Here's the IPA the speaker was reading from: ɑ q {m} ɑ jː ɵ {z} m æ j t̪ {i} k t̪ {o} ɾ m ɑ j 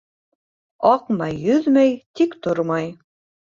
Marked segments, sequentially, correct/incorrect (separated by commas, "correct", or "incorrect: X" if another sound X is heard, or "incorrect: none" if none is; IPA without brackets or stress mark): correct, incorrect: ð, correct, correct